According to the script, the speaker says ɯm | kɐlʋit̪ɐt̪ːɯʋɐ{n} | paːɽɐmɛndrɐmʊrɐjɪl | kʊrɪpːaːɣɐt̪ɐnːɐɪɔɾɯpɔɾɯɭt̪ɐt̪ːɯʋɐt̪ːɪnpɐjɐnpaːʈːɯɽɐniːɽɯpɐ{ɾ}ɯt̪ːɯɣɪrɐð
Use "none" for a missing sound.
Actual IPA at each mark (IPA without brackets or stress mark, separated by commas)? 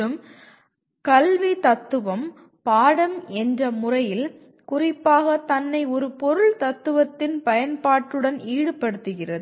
m, ɽ